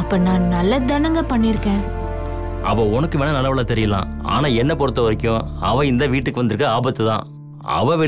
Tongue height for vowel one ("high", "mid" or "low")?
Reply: low